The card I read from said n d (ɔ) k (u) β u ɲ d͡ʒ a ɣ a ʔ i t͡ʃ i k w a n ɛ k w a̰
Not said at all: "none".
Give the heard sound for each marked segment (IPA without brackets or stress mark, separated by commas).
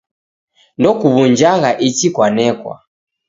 ɔ, u